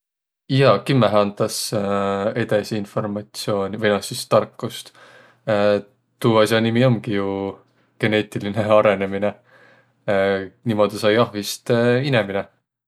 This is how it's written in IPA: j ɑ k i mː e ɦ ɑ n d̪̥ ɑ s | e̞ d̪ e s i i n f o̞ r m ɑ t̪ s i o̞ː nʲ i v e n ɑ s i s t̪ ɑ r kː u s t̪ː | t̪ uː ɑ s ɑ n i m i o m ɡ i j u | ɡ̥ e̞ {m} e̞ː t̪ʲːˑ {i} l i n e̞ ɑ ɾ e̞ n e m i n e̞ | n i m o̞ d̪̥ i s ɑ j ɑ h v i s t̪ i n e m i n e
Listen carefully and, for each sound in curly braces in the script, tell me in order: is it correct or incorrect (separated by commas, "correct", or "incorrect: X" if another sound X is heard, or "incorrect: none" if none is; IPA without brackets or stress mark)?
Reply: incorrect: n, correct